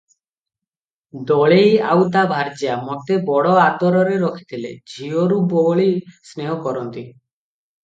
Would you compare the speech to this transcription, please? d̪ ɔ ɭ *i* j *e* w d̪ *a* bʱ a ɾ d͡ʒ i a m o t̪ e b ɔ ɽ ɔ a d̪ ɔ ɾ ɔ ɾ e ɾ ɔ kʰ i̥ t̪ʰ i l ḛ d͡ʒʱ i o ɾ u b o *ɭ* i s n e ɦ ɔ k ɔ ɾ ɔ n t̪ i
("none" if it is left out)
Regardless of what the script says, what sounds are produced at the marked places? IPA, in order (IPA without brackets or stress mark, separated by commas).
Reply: e, a, a, ɭ